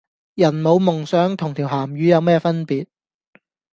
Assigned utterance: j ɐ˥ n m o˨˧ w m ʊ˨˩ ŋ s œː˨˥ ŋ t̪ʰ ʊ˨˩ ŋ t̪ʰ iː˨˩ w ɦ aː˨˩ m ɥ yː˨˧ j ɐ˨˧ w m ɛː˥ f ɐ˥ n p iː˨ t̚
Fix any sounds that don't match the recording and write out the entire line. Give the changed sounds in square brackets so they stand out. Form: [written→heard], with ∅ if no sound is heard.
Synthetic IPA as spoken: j [ɐ˥→ɐ˨˩] n m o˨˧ w m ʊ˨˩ ŋ s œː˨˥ ŋ t̪ʰ ʊ˨˩ ŋ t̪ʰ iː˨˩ w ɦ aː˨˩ m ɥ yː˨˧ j ɐ˨˧ w m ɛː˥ f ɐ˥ n p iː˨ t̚